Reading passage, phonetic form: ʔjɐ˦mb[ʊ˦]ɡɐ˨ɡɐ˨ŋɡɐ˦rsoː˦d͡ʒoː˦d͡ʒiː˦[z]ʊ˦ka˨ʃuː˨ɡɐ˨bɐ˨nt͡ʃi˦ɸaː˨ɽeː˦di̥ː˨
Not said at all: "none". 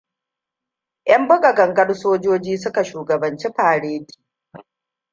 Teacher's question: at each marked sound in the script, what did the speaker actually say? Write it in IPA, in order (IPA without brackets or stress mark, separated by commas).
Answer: ʊ˦, s